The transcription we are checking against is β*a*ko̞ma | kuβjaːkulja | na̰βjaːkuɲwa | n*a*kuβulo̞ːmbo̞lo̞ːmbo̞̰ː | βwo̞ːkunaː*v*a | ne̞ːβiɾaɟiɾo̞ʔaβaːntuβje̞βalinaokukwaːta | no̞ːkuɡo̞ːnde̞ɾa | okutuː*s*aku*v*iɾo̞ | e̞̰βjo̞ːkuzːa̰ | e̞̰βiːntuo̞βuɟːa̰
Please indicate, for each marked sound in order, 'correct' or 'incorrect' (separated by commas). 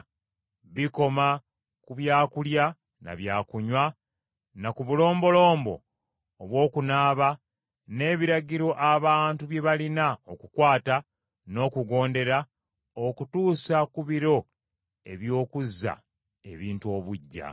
incorrect, correct, incorrect, correct, incorrect